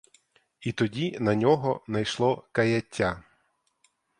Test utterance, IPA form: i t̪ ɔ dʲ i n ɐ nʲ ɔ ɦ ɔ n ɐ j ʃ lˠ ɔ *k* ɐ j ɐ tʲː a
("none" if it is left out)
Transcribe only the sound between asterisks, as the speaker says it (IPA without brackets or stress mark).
k